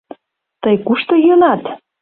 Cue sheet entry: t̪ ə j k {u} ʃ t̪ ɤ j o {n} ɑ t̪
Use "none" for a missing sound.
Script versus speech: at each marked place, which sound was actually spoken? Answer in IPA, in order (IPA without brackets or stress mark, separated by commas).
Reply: u, n